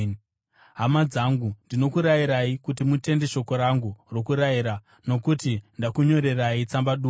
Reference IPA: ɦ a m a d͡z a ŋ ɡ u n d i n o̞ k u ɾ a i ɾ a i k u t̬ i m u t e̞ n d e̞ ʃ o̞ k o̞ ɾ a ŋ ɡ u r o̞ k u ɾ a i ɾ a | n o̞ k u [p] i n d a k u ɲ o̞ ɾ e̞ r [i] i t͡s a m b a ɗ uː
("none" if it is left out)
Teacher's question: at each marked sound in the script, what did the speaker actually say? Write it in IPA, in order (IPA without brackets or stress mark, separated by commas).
t, a